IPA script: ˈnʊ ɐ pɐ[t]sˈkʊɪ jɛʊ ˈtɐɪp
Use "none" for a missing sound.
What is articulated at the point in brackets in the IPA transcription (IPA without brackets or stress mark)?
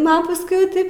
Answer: none